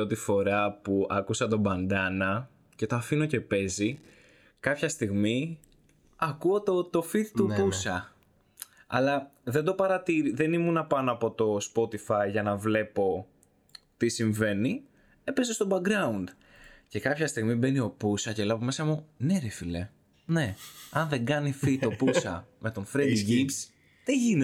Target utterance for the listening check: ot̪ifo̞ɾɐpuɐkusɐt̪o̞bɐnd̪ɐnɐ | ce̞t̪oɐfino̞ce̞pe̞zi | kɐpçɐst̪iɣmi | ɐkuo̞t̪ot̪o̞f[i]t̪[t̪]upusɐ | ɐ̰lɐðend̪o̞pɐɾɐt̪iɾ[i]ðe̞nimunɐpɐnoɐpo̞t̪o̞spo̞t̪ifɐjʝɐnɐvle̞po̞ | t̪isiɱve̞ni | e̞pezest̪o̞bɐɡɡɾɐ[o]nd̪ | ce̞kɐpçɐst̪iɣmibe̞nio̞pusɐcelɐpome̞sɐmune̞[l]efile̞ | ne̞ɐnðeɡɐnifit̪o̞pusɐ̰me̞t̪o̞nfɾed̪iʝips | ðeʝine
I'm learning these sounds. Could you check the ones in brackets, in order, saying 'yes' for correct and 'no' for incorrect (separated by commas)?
yes, yes, yes, no, no